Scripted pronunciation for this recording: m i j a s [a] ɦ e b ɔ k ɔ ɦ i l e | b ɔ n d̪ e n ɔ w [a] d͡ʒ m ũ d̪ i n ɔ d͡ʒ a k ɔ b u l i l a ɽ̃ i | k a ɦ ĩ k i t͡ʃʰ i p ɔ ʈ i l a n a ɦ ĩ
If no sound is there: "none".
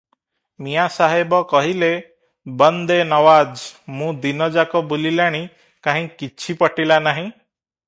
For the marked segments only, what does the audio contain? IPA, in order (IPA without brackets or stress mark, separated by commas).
a, a